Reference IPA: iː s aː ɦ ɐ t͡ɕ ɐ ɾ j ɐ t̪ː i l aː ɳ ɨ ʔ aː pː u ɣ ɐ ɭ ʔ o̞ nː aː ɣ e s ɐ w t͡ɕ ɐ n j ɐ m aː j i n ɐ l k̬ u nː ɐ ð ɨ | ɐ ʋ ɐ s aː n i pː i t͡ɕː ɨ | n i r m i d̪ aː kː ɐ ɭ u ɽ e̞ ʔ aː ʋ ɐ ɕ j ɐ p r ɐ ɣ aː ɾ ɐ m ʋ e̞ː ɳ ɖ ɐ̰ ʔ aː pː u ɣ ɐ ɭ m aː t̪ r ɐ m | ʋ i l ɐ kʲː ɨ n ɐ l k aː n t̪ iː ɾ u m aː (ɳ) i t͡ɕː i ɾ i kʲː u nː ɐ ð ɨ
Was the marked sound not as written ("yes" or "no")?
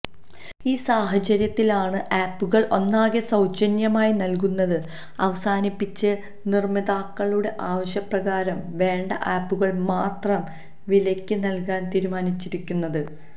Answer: yes